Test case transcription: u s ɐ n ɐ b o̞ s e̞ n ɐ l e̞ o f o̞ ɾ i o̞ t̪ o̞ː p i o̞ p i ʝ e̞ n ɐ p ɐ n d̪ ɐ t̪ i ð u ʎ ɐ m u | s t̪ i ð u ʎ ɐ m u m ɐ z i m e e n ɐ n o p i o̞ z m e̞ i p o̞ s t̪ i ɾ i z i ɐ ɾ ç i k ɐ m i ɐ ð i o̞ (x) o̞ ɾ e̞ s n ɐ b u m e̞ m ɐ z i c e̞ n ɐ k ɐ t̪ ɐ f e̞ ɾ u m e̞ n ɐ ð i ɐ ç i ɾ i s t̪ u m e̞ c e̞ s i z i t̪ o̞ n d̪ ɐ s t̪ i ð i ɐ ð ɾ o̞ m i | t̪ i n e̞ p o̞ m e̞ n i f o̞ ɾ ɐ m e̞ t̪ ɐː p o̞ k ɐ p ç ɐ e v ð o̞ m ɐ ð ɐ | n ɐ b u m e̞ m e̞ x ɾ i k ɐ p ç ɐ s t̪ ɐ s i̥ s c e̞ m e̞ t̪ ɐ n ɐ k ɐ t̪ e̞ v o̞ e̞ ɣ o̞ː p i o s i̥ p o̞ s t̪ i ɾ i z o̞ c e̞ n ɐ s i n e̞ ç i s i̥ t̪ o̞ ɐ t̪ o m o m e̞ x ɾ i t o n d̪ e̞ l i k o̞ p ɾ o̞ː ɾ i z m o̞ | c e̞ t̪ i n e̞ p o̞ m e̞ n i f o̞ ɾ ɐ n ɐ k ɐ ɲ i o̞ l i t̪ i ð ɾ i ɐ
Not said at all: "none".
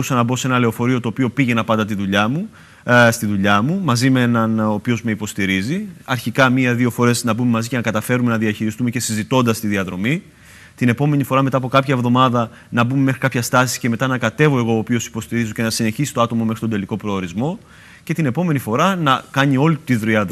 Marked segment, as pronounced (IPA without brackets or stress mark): f